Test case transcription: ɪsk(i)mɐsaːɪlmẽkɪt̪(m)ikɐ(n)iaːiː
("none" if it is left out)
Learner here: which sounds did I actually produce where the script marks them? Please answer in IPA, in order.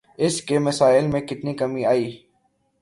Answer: e, n, m

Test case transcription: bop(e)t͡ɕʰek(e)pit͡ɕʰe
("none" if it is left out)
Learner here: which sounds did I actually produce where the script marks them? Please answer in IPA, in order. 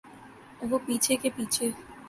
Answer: i, e

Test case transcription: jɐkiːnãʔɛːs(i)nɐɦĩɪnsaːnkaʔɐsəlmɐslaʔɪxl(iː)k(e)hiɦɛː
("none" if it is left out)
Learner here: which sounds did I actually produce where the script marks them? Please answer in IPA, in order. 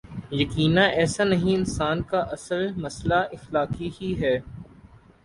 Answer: a, aː, i

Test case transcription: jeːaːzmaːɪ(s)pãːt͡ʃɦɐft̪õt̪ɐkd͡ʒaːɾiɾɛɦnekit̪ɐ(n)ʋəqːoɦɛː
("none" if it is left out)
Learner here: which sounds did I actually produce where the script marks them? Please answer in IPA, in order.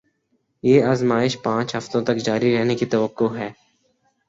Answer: ʃ, none

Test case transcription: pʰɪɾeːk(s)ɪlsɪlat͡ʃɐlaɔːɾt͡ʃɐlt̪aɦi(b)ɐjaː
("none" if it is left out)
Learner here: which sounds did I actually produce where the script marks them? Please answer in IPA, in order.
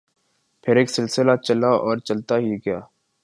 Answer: s, ɡ

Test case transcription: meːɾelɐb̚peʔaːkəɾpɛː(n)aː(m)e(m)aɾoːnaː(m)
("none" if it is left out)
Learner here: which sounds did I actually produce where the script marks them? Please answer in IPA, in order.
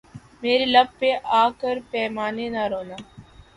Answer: m, n, n, none

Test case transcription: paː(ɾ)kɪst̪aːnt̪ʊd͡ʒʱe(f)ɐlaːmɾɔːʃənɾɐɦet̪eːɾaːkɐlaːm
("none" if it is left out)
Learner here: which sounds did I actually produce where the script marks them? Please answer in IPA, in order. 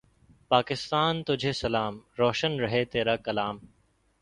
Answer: none, s

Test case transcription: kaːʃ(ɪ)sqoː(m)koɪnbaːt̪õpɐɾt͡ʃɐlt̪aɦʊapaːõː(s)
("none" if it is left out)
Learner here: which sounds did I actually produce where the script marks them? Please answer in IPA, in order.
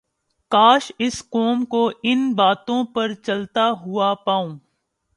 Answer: ɪ, m, none

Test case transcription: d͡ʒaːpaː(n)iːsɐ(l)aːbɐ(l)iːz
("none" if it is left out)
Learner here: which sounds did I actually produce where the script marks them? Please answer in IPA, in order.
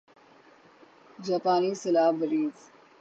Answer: n, l, ɾ

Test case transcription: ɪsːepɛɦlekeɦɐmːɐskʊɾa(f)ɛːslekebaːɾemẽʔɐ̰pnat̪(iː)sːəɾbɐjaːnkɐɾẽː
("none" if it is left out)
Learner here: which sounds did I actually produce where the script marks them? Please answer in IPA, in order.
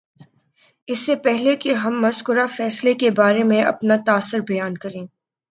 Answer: f, aː

